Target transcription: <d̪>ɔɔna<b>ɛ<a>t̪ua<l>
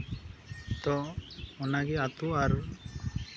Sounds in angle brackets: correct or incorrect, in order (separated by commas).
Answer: incorrect, incorrect, correct, incorrect